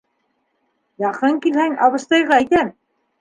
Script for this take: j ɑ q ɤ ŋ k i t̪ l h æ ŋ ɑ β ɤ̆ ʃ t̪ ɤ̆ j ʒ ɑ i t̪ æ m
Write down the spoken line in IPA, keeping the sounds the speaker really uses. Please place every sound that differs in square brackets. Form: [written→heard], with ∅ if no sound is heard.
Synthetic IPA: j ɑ q ɤ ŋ k i [t̪→∅] l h æ ŋ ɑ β ɤ̆ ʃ t̪ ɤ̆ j [ʒ→ʁ] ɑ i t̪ æ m